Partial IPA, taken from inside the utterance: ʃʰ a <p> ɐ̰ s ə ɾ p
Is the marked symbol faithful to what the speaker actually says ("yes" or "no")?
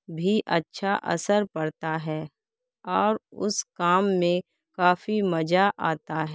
no